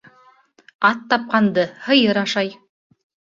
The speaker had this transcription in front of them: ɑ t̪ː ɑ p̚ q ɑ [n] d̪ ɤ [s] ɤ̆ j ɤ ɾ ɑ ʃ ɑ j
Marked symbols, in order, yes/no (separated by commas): yes, no